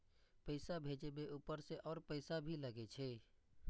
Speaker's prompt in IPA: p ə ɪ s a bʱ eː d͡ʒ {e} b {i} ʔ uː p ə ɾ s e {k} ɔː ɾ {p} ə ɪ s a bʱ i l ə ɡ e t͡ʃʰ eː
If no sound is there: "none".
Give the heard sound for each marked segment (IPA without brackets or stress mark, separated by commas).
e, e, ʔ, p